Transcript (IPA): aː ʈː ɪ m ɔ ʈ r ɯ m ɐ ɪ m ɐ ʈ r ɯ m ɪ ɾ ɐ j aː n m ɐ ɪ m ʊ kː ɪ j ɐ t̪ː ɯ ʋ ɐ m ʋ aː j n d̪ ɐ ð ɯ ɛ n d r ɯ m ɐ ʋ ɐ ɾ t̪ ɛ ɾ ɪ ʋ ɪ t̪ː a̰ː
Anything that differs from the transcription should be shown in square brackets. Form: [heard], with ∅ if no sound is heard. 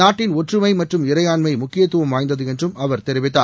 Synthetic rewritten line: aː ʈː ɪ [n] ɔ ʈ r ɯ m ɐ ɪ m ɐ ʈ r ɯ m ɪ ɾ ɐ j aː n m ɐ ɪ m ʊ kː ɪ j ɐ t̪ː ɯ ʋ ɐ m ʋ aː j n d̪ ɐ ð ɯ ɛ n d r ɯ m ɐ ʋ ɐ ɾ t̪ ɛ ɾ ɪ ʋ ɪ t̪ː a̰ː